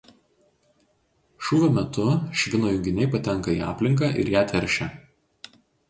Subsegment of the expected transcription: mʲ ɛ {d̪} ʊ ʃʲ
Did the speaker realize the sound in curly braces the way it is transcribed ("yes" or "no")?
no